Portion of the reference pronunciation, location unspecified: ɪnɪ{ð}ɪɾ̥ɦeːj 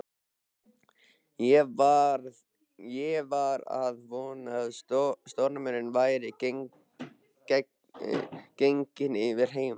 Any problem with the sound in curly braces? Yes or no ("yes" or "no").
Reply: yes